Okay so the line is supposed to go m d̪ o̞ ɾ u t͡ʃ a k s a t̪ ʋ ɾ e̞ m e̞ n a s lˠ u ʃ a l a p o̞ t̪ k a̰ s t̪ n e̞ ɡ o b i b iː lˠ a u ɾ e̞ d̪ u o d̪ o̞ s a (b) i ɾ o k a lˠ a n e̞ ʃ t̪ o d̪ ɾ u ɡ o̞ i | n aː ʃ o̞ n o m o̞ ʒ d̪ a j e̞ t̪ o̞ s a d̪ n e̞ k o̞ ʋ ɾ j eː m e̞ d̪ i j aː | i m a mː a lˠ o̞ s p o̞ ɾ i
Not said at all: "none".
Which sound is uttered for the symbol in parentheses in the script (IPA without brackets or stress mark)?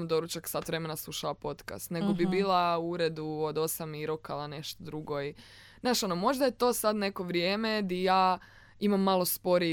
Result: m